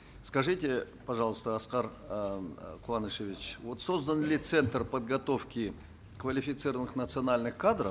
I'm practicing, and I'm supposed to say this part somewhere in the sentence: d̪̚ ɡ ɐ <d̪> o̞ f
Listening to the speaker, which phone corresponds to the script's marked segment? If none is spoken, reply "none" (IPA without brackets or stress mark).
t̪